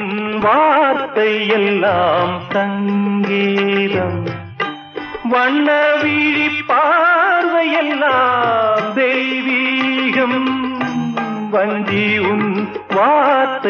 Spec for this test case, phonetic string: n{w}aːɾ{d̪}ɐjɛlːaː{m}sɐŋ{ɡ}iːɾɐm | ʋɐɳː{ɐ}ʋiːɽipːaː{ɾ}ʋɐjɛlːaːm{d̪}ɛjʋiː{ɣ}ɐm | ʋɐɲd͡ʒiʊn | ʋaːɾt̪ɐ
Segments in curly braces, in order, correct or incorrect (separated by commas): incorrect, incorrect, correct, correct, correct, correct, correct, correct